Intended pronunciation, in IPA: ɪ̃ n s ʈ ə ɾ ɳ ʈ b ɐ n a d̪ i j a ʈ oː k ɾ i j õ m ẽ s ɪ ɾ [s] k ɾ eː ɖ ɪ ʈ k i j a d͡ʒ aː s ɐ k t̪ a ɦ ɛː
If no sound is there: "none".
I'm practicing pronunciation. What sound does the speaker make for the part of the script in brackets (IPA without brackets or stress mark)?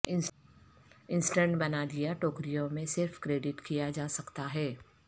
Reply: f